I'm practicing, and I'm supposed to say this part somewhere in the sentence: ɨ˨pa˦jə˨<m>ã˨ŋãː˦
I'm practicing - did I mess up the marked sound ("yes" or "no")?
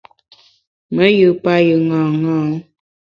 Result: yes